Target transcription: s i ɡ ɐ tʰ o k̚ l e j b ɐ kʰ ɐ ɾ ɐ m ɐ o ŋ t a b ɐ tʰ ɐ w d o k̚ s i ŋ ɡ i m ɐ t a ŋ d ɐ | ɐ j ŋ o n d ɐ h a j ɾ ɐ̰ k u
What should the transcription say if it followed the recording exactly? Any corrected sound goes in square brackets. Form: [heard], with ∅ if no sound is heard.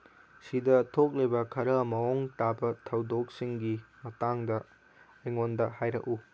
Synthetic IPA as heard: s i [d] ɐ tʰ o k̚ l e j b ɐ kʰ ɐ ɾ ɐ m ɐ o ŋ t a b ɐ tʰ ɐ w d o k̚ s i ŋ ɡ i m ɐ t a ŋ d ɐ | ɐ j ŋ o n d ɐ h a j ɾ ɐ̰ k u